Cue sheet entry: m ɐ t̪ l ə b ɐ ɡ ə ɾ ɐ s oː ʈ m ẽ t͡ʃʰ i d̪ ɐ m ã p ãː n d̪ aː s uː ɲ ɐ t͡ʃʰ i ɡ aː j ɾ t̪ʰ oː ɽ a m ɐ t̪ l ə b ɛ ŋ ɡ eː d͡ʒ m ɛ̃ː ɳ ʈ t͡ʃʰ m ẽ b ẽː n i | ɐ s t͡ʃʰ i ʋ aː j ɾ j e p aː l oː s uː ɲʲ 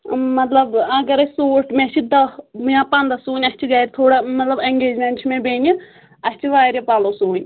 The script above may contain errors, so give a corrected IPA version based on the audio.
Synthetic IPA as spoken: m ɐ t̪ l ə b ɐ ɡ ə ɾ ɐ s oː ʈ m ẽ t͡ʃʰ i d̪ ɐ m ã p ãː n d̪ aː s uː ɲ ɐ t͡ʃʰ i ɡ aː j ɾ t̪ʰ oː ɽ a m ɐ t̪ l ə b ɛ ŋ ɡ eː d͡ʒ m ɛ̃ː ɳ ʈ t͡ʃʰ m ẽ b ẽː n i | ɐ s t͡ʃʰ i ʋ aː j ɾ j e p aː l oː s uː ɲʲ